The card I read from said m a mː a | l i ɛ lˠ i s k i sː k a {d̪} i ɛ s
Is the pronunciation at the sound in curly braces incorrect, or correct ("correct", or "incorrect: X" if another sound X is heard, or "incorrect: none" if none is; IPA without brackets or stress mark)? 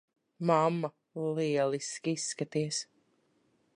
incorrect: t̪